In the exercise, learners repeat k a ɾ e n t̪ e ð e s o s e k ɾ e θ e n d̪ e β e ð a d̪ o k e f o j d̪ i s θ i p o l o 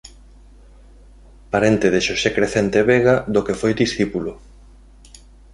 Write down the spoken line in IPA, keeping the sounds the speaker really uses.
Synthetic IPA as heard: p a ɾ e n t̪ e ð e ʃ o s e k ɾ e θ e n t̪ e β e ɣ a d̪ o k e f o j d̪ i s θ i p u l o